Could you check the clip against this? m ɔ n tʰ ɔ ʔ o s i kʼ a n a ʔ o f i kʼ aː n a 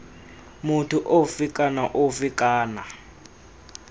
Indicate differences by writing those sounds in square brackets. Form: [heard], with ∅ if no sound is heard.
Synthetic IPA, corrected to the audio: m [u] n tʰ [u] ʔ o [f] i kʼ a n a ʔ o f i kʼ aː n a